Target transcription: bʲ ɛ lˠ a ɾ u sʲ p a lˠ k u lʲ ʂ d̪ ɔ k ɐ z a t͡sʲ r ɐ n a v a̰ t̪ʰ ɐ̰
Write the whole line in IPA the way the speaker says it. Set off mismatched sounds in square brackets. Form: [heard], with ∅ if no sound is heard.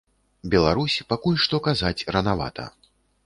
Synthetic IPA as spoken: bʲ ɛ lˠ a ɾ u sʲ p a [∅] k u lʲ ʂ [t̪] ɔ k [a] z a t͡sʲ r ɐ n a v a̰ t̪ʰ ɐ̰